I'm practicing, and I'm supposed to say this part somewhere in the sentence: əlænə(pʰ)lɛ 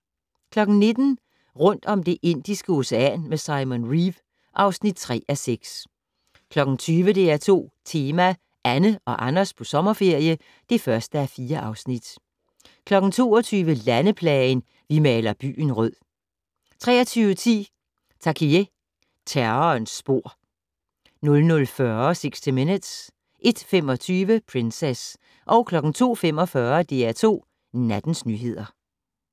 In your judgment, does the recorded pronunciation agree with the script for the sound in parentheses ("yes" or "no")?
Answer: yes